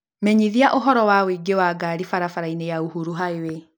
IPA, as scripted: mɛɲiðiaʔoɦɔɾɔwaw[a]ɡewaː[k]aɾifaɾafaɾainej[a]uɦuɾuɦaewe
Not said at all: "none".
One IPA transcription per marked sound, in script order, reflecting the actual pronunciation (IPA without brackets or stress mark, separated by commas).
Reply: i, ɡ, a